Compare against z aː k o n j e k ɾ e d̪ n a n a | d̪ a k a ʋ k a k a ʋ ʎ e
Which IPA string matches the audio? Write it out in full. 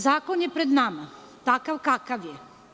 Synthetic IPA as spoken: z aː k o n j e p ɾ e d̪ n a m a | t̪ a k a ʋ k a k a ʋ j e